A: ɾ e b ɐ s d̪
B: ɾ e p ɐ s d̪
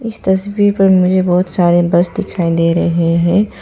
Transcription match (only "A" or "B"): A